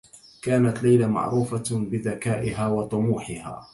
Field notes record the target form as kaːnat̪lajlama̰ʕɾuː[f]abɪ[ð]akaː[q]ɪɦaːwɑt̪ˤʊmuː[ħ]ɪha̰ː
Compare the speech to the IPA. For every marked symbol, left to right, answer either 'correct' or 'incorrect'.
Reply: correct, correct, incorrect: ʔ, correct

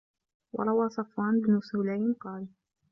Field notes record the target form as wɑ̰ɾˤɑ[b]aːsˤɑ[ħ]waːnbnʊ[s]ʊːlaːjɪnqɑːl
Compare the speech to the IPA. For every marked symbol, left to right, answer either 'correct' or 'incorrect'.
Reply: incorrect: w, incorrect: f, correct

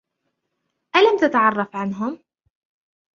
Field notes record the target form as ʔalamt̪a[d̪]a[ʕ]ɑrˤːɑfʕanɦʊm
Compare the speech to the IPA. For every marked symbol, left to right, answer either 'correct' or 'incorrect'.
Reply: incorrect: t̪, correct

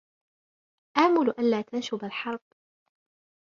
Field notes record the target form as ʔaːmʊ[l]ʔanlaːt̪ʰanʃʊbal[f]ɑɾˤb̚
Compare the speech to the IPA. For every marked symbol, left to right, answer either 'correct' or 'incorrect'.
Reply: correct, incorrect: ħ

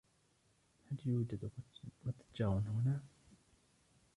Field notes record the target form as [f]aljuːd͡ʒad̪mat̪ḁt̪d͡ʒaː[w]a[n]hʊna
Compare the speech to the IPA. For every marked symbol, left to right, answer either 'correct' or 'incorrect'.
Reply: incorrect: h, correct, correct

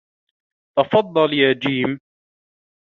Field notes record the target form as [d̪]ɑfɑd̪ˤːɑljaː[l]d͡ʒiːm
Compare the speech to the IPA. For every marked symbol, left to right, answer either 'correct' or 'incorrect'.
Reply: incorrect: t̪, incorrect: none

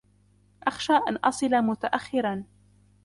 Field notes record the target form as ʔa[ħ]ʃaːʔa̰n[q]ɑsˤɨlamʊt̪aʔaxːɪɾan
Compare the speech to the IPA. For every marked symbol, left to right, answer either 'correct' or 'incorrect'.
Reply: incorrect: x, incorrect: ʔ

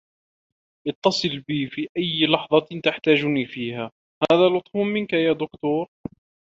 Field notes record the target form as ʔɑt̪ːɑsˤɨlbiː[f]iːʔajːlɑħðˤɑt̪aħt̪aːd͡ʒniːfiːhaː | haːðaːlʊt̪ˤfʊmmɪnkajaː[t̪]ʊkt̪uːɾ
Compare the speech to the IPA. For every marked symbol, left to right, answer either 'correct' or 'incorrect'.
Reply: correct, incorrect: d̪

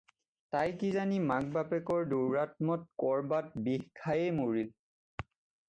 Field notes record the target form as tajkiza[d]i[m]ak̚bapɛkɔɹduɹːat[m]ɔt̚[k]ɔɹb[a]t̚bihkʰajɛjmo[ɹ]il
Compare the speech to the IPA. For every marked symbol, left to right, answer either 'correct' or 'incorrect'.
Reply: incorrect: n, correct, correct, correct, correct, correct

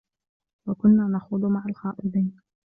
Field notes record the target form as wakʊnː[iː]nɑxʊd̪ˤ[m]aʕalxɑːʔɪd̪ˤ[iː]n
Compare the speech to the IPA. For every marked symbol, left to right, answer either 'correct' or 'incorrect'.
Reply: incorrect: aː, correct, correct

